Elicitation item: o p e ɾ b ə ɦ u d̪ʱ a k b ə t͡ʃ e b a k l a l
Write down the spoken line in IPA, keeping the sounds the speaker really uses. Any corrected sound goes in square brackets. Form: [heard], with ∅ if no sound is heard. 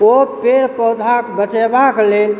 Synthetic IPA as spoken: o p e ɾ [p] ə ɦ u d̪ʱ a k b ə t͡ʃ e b a k l [e] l